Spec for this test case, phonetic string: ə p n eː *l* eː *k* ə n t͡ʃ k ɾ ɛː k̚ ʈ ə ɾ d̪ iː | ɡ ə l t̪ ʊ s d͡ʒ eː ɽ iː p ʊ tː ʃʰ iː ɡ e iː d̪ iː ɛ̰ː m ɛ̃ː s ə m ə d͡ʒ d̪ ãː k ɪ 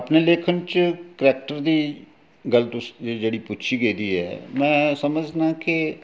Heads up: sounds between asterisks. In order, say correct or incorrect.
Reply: correct, incorrect: kʰ

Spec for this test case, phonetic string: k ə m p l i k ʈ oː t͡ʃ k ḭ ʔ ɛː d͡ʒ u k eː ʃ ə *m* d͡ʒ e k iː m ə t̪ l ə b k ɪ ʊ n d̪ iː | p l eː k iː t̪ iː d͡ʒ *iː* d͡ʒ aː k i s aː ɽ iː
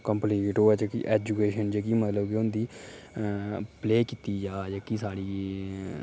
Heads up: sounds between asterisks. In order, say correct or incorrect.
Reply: incorrect: n, incorrect: aː

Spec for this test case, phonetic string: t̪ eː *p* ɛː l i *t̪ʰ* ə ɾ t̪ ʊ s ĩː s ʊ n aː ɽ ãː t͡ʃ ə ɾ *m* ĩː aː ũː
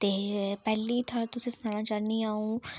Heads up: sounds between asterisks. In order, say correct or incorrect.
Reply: correct, correct, incorrect: n

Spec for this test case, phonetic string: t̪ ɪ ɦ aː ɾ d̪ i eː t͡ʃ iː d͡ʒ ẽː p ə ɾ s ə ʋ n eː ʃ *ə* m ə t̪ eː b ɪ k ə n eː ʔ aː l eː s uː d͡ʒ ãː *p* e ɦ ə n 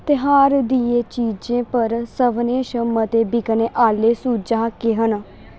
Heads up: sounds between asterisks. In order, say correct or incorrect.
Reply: correct, incorrect: k

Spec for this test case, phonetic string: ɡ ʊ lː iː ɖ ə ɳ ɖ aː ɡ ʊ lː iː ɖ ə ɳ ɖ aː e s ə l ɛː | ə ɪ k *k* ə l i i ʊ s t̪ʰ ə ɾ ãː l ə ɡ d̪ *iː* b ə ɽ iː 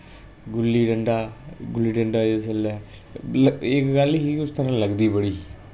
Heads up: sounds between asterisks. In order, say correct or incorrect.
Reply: incorrect: ɡ, correct

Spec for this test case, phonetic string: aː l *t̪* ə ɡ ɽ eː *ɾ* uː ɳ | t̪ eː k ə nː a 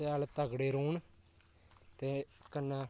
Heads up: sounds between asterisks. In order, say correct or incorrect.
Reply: correct, correct

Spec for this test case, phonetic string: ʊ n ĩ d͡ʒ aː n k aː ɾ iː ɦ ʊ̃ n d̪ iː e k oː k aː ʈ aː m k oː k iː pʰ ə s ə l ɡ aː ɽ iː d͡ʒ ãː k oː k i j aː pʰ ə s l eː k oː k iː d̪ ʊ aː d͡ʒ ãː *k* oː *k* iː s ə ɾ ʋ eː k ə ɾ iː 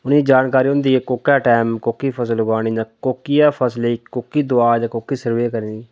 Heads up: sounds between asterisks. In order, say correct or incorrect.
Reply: correct, correct

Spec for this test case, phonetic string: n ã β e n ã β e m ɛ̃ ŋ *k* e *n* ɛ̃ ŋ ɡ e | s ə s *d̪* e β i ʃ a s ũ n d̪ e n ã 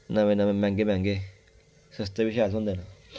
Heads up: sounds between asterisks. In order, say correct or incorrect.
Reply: incorrect: ɡ, incorrect: m, incorrect: t̪

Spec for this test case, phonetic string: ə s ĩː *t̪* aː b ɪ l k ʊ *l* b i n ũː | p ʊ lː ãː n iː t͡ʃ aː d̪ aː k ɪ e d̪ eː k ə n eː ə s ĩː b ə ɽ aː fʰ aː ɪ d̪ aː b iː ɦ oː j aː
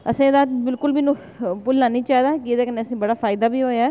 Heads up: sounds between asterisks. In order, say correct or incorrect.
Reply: incorrect: d̪, correct

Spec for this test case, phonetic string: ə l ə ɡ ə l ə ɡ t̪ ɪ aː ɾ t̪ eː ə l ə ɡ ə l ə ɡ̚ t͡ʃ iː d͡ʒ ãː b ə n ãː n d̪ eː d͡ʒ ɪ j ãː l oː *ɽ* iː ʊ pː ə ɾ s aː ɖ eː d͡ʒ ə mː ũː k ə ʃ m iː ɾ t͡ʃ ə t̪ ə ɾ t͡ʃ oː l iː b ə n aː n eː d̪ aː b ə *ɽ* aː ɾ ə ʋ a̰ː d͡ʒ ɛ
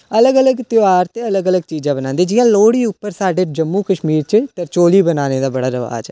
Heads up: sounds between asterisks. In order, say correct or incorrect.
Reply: correct, correct

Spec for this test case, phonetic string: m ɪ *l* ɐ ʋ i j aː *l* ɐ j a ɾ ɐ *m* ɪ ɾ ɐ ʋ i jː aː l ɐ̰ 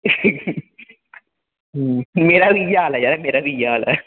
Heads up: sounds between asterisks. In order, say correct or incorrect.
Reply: incorrect: ɾ, correct, correct

